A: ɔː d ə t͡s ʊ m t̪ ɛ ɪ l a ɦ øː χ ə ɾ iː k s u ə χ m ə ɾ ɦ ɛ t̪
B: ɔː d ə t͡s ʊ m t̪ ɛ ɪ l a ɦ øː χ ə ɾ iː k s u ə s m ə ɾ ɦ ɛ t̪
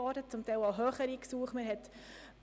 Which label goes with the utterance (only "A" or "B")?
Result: A